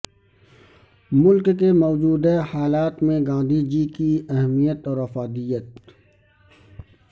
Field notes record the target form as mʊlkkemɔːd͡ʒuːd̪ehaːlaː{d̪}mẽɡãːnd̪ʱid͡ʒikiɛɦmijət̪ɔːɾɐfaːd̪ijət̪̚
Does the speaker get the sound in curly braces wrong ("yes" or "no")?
yes